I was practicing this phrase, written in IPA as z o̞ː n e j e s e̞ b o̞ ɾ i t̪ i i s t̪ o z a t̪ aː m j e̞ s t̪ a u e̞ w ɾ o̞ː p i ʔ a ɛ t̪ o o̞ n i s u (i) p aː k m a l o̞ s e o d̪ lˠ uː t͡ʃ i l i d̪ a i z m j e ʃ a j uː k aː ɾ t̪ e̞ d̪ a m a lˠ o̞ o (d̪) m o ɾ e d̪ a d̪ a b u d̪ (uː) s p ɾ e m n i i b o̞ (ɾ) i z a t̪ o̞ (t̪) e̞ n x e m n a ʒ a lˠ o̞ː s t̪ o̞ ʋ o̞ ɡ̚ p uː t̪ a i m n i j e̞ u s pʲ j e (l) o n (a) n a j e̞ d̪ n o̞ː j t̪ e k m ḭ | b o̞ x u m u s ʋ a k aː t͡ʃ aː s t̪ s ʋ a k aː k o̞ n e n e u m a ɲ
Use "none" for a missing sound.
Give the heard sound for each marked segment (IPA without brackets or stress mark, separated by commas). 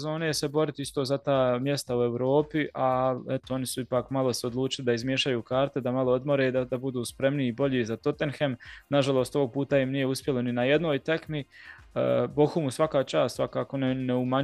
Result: i, d̪, uː, ʎ, t̪, l, i